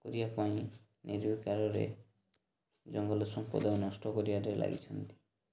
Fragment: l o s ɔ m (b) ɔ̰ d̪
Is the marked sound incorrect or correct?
incorrect